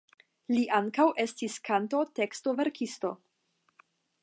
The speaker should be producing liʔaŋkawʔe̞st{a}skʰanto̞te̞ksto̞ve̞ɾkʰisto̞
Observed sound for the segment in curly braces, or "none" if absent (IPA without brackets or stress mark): i